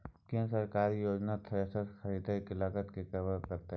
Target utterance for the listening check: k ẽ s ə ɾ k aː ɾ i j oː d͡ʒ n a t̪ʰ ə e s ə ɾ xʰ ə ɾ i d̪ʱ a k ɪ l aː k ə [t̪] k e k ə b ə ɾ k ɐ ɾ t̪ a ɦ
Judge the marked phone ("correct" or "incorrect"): correct